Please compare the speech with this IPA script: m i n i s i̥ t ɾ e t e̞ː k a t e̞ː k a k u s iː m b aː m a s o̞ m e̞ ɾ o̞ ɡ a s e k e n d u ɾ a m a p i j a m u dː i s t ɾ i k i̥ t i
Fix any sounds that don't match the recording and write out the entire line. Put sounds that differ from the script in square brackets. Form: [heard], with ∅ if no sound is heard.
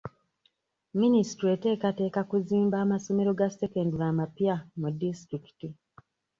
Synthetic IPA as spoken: m i n i s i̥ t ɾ e t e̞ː k a t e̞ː k a k u [z] iː m b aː m a s o̞ m e̞ ɾ o̞ ɡ a s e k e n d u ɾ a m a p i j a m u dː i s t ɾ i k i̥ t i